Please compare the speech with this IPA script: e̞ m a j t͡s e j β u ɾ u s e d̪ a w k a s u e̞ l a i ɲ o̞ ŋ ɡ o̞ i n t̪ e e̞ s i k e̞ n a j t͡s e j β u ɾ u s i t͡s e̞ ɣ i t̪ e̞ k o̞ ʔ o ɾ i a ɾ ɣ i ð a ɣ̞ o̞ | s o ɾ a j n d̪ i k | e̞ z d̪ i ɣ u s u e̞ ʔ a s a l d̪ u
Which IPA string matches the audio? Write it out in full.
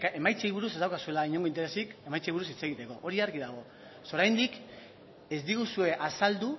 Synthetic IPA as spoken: e̞ m a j t͡s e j β u ɾ u s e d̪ a w k a s u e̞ l a i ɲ o̞ ŋ ɡ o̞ i n t̪ e e̞ s i k e̞ m a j t͡s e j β u ɾ u s i t͡s e̞ ɣ i t̪ e̞ k o̞ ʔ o ɾ i a ɾ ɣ i ð a ɣ̞ o̞ | s o ɾ a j n d̪ i k | e̞ z d̪ i ɣ u s u e̞ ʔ a s a l d̪ u